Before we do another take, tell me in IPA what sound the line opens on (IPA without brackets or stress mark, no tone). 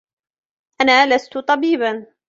ʔ